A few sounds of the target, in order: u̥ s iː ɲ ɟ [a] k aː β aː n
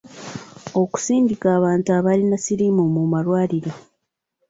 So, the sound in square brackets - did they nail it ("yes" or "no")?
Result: no